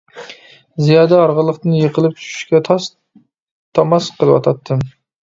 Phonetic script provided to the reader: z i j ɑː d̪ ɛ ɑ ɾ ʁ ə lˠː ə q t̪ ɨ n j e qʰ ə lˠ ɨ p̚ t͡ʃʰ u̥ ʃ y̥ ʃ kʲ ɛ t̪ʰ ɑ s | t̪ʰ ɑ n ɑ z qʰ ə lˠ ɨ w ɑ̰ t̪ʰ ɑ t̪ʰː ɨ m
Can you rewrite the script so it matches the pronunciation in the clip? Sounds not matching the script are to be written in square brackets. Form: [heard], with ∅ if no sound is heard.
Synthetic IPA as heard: z i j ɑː d̪ ɛ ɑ ɾ ʁ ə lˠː ə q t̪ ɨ n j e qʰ ə lˠ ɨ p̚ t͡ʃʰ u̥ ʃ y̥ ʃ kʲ ɛ t̪ʰ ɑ s | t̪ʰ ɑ [m] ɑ [s] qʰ ə lˠ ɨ w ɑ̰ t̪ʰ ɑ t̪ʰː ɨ m